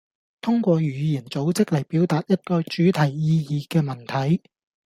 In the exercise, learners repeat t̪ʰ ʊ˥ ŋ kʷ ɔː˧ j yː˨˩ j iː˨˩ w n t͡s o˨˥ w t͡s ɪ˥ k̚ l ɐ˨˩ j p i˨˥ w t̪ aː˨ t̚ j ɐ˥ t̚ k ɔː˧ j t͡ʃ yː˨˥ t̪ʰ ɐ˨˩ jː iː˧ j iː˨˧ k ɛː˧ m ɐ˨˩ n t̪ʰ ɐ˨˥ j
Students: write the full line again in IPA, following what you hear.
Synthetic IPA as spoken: t̪ʰ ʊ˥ ŋ kʷ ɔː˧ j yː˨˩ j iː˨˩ n t͡s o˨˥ w t͡s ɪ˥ k̚ l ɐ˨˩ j p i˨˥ w t̪ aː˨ t̚ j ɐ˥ t̚ k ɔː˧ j t͡ʃ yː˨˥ t̪ʰ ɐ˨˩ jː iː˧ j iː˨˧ k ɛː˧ m ɐ˨˩ n t̪ʰ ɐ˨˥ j